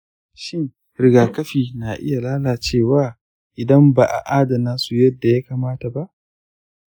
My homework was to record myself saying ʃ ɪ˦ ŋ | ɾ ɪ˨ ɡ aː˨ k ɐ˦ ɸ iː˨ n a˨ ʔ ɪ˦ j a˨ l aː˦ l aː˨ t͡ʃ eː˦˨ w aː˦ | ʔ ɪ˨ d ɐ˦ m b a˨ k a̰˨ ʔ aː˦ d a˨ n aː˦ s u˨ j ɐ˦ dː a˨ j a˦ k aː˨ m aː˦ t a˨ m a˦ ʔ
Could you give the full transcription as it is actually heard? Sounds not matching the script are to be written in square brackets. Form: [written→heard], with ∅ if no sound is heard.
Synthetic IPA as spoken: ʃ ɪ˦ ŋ | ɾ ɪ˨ ɡ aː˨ k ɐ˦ ɸ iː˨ n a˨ ʔ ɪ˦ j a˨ l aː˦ l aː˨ t͡ʃ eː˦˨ w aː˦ | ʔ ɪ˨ d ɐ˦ m b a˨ [k→ʔ] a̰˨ ʔ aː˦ d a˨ n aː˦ s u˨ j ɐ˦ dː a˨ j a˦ k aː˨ m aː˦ t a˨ [m→b] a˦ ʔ